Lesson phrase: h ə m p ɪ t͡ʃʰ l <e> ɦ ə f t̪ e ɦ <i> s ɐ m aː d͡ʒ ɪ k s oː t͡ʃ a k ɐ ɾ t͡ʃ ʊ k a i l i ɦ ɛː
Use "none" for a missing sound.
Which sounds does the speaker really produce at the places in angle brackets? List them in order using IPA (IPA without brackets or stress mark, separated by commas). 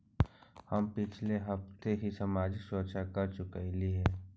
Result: e, i